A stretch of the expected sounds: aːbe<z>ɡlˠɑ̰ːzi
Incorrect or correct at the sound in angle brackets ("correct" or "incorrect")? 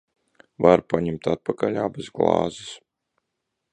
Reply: correct